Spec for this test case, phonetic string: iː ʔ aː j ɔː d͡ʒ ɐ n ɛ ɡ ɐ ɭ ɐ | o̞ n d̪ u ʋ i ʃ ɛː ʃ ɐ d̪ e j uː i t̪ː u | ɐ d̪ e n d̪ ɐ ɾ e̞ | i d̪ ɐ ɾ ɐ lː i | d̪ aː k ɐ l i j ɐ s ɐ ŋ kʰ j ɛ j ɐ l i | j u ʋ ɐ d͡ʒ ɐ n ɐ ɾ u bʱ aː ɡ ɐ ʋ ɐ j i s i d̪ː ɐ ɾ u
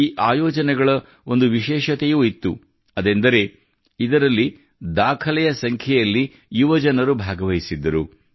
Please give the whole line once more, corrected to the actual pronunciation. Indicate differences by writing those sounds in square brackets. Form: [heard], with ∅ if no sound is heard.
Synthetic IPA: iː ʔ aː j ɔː d͡ʒ ɐ n ɛ ɡ ɐ ɭ ɐ | o̞ n d̪ u ʋ i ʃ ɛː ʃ ɐ [t̪] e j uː i t̪ː u | ɐ d̪ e n d̪ ɐ ɾ e̞ | i d̪ ɐ ɾ ɐ lː i | d̪ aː [kʰ] ɐ l [ɛ] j ɐ s ɐ ŋ kʰ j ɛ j ɐ [lː] i | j u ʋ ɐ d͡ʒ ɐ n ɐ ɾ u bʱ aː ɡ ɐ ʋ ɐ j i s i d̪ː ɐ ɾ u